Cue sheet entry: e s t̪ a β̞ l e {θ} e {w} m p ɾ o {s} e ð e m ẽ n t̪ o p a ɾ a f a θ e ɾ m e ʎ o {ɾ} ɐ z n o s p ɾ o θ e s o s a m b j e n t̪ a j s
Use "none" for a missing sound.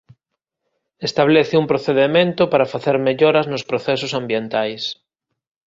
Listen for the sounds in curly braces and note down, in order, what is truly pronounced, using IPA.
θ, u, θ, ɾ

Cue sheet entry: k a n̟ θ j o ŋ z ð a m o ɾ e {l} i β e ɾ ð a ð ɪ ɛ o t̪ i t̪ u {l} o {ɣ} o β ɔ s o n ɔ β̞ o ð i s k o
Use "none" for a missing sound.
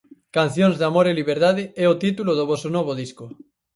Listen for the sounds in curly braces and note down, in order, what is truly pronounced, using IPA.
l, l, ð

